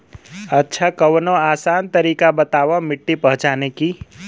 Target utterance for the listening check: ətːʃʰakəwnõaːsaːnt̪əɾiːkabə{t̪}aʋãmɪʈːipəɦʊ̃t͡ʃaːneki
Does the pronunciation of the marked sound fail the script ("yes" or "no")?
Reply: no